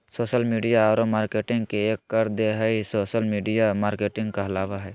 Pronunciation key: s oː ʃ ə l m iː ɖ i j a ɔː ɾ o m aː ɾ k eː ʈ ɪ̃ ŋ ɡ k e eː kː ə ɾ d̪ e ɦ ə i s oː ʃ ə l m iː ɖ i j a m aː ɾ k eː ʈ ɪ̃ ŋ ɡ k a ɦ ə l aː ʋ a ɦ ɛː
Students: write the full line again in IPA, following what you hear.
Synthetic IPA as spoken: s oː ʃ ə l m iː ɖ i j a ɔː ɾ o m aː ɾ k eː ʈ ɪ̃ ŋ ɡ k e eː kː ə ɾ d̪ e ɦ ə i s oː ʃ ə l m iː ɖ i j a m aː ɾ k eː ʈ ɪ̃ ŋ ɡ k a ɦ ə l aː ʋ a ɦ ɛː